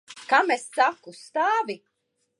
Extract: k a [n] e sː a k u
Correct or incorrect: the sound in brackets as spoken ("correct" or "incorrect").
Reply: incorrect